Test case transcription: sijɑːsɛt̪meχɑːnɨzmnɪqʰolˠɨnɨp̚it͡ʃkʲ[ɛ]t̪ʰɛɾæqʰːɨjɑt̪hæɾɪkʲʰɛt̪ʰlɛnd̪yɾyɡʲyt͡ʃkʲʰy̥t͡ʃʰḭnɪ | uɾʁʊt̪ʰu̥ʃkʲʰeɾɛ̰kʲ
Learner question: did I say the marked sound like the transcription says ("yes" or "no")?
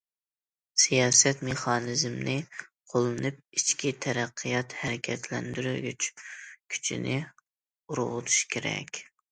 no